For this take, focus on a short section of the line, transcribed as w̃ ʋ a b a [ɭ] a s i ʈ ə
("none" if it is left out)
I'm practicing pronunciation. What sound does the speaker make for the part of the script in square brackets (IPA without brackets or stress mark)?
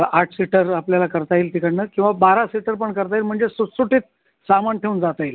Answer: ɾ